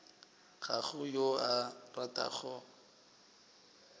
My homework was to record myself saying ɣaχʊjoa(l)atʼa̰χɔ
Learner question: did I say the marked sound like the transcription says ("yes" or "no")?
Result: no